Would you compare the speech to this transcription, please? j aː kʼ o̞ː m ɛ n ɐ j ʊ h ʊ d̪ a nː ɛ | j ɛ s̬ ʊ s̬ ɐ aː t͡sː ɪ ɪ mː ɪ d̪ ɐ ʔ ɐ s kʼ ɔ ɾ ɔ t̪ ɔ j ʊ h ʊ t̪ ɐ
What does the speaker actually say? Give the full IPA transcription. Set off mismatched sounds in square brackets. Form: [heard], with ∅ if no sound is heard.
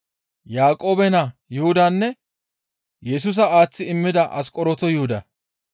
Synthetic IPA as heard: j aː kʼ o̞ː [b] ɛ n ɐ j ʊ h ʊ d̪ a nː ɛ | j ɛ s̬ ʊ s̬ ɐ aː t͡sː ɪ ɪ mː ɪ d̪ ɐ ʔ ɐ s kʼ ɔ ɾ ɔ t̪ ɔ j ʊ h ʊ [d̪] ɐ